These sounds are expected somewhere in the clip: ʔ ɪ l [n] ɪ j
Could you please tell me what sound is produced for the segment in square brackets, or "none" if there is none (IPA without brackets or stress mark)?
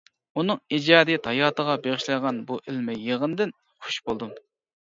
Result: m